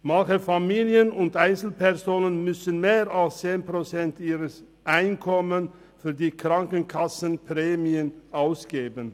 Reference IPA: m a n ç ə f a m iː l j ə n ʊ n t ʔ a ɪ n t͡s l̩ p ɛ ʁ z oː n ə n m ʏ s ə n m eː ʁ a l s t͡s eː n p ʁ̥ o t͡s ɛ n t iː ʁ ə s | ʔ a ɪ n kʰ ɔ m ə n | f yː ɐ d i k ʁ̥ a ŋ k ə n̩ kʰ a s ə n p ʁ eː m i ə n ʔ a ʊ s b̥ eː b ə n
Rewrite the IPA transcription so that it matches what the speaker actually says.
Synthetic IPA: m a n ç ə f a m iː l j ə n ʊ n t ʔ a ɪ n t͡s l̩ p ɛ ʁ z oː n ə n m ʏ s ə n m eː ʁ a l s t͡s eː n p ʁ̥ o t͡s ɛ n t iː ʁ ə s | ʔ a ɪ n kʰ ɔ m ə n | f yː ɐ d iː k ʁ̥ a ŋ k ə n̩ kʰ a s ə n p ʁ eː m i ə n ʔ a ʊ s ɡ̥ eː b ə n